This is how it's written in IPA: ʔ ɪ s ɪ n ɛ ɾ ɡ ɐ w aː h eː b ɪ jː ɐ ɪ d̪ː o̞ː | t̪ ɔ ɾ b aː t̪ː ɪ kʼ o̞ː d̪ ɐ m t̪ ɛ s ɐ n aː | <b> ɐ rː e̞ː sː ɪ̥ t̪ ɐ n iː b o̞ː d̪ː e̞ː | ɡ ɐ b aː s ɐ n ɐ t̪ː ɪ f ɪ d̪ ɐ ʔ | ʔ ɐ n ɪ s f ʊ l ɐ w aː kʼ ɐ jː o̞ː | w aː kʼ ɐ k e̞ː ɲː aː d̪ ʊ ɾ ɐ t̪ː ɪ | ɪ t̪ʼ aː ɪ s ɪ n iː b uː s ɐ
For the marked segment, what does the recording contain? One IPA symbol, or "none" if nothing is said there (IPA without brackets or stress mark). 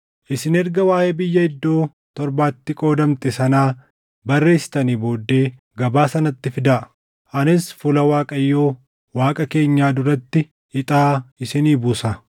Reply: b